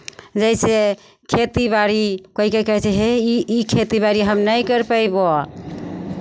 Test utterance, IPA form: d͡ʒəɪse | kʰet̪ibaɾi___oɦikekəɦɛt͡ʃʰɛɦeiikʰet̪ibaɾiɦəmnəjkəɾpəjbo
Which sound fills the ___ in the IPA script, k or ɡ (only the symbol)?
k